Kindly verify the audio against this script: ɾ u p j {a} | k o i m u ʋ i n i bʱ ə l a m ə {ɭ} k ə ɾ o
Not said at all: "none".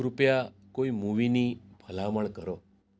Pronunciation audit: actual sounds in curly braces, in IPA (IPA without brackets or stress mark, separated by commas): a, ɭ